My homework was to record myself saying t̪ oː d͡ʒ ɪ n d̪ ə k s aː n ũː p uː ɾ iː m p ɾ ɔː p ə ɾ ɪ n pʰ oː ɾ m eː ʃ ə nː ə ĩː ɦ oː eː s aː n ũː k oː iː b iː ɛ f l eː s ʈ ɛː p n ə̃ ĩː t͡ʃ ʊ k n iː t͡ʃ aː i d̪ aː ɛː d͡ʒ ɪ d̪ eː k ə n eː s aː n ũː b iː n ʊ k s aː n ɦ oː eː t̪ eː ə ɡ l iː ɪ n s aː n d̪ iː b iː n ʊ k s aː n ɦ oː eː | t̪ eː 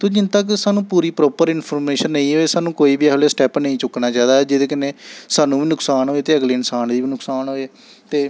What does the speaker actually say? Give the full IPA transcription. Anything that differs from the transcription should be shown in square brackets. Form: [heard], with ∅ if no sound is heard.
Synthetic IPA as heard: t̪ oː d͡ʒ ɪ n [t̪] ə k s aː n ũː p uː ɾ iː [∅] p ɾ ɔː p ə ɾ ɪ n pʰ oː ɾ m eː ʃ ə nː ə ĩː ɦ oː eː s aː n ũː k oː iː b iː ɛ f l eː s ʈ ɛː p n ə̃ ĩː t͡ʃ ʊ k n [aː] t͡ʃ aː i d̪ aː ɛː d͡ʒ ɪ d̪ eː k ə n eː s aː n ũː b iː n ʊ k s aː n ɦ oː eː t̪ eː ə ɡ l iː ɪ n s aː n d̪ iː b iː n ʊ k s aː n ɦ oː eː | t̪ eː

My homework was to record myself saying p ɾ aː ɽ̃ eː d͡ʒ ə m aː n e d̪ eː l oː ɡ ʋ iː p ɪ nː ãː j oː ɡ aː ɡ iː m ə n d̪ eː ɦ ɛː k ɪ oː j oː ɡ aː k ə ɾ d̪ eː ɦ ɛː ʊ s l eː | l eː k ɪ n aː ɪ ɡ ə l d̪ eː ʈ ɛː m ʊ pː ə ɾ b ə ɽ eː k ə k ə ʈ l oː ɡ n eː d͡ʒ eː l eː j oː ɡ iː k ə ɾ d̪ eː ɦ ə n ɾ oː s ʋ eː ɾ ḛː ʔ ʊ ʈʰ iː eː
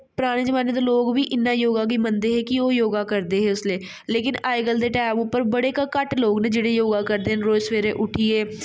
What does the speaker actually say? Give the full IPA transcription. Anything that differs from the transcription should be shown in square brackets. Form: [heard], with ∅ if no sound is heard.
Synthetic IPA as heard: p ɾ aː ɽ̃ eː d͡ʒ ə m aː n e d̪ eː l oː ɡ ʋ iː [ʔ] ɪ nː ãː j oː ɡ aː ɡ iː m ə n d̪ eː ɦ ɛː k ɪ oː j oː ɡ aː k ə ɾ d̪ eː ɦ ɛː ʊ s l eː | l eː k ɪ n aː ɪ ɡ ə l d̪ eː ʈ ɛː m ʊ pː ə ɾ b ə ɽ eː k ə k ə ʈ l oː ɡ n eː d͡ʒ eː [ɽ] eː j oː ɡ [aː] k ə ɾ d̪ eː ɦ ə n ɾ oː s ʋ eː ɾ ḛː ʔ ʊ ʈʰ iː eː

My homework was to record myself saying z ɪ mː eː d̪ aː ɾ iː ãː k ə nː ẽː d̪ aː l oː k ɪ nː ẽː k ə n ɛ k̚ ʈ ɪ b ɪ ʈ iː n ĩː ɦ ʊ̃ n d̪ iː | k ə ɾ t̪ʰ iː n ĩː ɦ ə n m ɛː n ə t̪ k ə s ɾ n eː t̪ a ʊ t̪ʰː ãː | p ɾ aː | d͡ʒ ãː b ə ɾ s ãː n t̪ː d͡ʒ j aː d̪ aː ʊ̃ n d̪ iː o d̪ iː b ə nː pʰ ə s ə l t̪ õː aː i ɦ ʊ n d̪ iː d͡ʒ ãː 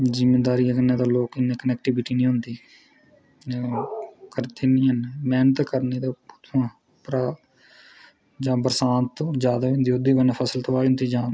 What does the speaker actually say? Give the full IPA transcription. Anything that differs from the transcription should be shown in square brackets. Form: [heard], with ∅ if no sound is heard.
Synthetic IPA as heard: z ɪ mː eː d̪ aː ɾ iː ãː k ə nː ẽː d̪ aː l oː k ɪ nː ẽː k ə n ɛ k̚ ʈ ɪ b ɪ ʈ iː n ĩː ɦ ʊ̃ n d̪ iː | k ə ɾ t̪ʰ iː n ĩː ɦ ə n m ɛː n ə t̪ k ə [∅] ɾ n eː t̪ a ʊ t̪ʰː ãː | p ɾ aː | d͡ʒ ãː b ə ɾ s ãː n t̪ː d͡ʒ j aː d̪ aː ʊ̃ n d̪ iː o d̪ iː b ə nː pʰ ə s ə l t̪ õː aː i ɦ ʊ n d̪ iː d͡ʒ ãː

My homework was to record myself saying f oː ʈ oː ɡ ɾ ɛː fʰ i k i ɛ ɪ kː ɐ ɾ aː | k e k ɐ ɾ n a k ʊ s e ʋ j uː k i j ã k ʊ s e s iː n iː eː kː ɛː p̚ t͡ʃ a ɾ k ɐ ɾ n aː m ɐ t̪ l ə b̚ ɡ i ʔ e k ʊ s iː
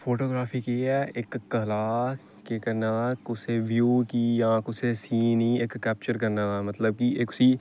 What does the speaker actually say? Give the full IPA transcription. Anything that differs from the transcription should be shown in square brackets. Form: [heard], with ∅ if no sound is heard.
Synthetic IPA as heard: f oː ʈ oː ɡ ɾ [aː] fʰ i k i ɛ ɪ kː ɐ [l] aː | k e k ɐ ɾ n a k ʊ s e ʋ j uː k i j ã k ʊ s e s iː n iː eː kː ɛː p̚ t͡ʃ [ə] ɾ k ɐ ɾ n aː m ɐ t̪ l ə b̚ [k] i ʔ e k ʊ s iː

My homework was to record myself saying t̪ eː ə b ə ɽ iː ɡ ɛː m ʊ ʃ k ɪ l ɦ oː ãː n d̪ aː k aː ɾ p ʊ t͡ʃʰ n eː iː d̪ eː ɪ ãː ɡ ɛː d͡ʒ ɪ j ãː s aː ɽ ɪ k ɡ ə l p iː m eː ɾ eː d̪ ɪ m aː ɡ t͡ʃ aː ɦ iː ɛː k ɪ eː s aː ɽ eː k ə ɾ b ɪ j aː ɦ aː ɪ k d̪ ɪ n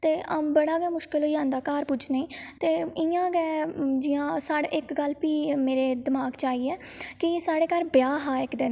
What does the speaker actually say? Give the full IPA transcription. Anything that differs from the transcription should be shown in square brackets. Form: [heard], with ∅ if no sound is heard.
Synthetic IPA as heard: t̪ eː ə b ə ɽ [aː] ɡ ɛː m ʊ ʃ k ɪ l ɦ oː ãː n d̪ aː k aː ɾ p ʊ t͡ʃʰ n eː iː [t̪] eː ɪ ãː ɡ ɛː d͡ʒ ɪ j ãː s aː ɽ ɪ k ɡ ə l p iː m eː ɾ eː d̪ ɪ m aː ɡ t͡ʃ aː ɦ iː ɛː k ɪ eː s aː ɽ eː k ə ɾ b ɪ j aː ɦ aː ɪ k d̪ ɪ n

